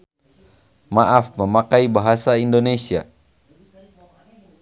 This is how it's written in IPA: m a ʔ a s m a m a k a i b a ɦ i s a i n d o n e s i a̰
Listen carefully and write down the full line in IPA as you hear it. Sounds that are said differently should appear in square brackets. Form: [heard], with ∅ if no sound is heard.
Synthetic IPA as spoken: m a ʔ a [f] m [ə] m a k a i b a ɦ [a] s a i n d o n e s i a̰